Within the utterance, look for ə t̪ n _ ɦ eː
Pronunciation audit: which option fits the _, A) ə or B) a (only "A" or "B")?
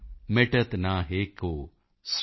B